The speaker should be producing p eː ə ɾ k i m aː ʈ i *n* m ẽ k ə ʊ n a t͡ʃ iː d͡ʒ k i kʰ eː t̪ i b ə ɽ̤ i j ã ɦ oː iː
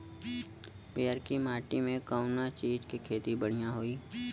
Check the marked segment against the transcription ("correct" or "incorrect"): incorrect